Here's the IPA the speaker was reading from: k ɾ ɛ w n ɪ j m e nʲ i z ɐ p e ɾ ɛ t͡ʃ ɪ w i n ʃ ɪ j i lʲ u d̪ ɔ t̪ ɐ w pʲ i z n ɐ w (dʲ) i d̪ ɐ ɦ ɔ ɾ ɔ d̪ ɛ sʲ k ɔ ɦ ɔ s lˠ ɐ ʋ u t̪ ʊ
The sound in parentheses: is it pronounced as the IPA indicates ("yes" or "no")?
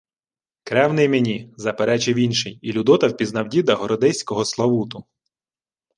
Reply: yes